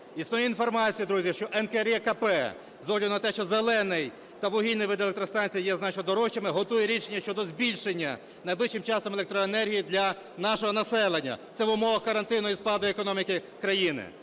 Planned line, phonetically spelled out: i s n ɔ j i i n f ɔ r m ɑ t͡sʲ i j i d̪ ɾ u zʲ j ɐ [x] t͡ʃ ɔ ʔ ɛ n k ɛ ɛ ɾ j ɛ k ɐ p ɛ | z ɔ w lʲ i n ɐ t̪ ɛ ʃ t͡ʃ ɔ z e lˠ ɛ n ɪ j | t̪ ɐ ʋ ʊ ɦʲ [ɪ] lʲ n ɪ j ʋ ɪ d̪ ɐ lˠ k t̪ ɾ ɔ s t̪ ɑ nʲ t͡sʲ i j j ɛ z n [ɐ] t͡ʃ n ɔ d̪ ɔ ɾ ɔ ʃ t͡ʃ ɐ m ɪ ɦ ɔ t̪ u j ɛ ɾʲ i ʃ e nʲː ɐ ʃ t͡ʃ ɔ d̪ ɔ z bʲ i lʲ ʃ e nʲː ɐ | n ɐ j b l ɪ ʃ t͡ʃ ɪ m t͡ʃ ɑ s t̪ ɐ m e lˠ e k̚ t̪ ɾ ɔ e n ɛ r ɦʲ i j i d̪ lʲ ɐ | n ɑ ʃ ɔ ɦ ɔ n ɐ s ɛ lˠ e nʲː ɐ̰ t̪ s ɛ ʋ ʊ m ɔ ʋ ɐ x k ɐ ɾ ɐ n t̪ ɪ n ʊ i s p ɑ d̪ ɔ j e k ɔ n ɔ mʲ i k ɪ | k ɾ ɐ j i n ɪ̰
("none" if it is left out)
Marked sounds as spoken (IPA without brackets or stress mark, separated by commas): ʃ, i, ɑ